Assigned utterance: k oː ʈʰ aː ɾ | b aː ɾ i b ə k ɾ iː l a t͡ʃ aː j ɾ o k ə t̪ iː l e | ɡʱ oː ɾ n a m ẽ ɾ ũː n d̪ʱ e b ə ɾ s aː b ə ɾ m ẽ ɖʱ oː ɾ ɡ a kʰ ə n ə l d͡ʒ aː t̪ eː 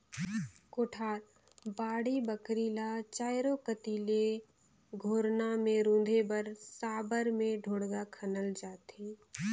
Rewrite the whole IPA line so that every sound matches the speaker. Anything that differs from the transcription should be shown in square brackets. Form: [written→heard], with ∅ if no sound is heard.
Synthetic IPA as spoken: k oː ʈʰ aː ɾ | b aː [ɾ→ɽ] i b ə k ɾ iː l a t͡ʃ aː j ɾ o k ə t̪ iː l e | ɡʱ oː ɾ n a m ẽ ɾ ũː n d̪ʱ e b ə ɾ s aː b ə ɾ m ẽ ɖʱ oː [ɾ→ɽ] ɡ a kʰ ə n ə l d͡ʒ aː t̪ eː